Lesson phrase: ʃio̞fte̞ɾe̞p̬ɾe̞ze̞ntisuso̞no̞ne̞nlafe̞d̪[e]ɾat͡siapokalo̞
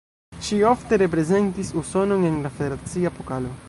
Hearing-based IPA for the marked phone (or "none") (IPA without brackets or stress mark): e